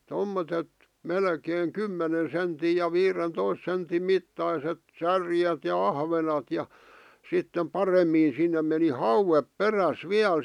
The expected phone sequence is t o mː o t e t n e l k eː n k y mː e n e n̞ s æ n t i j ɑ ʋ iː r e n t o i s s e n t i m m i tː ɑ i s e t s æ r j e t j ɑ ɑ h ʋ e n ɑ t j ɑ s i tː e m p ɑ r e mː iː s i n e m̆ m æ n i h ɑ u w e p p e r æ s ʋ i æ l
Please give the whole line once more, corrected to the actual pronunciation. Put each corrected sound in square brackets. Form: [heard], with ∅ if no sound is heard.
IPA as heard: t o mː o t e t [m] e l k eː [ŋ] k y mː e n e n̞ s [e] n t i j ɑ ʋ iː r e n t o i s s e n t i m m i tː ɑ i s e t s æ r j e t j ɑ ɑ h ʋ e n ɑ t j ɑ s i tː e m p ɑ r e mː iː s i [nː] e m̆ m [e] n i h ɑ u w e p p e r æ s ʋ i æ l